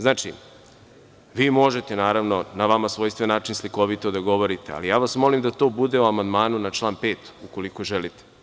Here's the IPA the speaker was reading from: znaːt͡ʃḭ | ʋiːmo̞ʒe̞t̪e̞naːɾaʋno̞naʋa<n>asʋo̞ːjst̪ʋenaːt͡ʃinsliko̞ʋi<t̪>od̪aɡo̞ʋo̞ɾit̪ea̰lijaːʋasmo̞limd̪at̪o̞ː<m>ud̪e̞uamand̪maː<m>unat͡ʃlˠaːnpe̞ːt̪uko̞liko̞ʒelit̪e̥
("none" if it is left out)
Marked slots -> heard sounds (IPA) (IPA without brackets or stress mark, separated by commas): m, t̪, b, n